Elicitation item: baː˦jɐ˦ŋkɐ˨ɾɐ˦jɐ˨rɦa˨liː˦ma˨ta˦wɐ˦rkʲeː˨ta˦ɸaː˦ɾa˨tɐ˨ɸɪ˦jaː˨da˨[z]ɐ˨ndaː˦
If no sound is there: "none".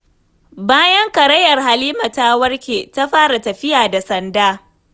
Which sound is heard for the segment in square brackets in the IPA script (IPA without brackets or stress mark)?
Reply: s